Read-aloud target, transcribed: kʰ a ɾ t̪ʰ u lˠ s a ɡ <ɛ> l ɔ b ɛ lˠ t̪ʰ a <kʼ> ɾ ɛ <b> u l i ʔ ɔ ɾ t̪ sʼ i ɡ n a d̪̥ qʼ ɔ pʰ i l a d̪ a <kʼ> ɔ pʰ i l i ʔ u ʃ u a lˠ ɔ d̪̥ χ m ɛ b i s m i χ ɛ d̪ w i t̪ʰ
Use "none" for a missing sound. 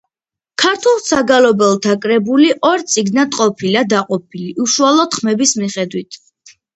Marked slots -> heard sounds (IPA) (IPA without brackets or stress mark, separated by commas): a, kʼ, b, qʼ